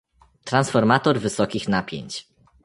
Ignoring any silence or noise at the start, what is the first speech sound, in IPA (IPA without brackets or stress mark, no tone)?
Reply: t̪